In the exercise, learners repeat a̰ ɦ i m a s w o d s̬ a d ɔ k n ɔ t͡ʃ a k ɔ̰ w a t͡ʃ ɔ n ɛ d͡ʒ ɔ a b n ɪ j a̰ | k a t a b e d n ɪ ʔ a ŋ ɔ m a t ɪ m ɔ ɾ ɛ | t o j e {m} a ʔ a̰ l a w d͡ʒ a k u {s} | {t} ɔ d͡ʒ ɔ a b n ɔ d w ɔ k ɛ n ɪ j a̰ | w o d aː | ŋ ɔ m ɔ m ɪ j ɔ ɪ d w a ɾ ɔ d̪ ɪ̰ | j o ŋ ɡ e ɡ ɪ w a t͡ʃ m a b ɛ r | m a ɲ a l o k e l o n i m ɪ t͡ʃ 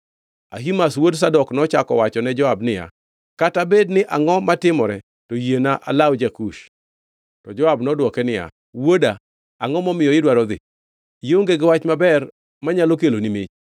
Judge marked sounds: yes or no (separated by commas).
no, no, yes